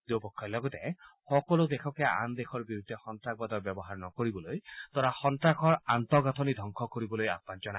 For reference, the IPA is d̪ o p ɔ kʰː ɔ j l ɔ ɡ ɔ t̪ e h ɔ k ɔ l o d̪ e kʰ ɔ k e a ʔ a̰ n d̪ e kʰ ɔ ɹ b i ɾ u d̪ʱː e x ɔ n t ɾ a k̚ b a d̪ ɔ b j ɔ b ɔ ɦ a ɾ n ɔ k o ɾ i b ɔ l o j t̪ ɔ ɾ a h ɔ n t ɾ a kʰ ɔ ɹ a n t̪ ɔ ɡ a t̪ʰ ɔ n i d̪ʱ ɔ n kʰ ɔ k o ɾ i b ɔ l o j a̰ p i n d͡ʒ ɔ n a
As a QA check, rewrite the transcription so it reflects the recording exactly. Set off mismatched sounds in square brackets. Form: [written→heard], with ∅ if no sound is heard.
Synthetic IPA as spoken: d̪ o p ɔ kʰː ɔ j l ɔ ɡ ɔ t̪ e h ɔ k ɔ l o d̪ e kʰ ɔ k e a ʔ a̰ n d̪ e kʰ ɔ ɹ b i ɾ u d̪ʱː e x ɔ n t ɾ a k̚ b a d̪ ɔ b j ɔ b ɔ ɦ a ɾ n ɔ k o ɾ i b ɔ l o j t̪ ɔ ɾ a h ɔ n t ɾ a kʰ ɔ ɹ a n t̪ ɔ ɡ a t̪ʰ ɔ n i d̪ʱ ɔ [n→ŋ] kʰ ɔ k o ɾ i b ɔ l o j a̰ p [i→a] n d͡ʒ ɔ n a